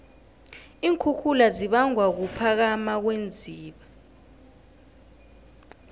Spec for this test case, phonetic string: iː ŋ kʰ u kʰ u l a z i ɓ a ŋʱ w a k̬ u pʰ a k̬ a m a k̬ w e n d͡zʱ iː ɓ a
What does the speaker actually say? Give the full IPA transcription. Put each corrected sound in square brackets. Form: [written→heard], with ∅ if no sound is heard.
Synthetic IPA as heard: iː ŋ kʰ u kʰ u l a z i ɓ a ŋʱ w a k̬ u pʰ a k̬ a m a k̬ w e n d͡zʱ iː ɓ a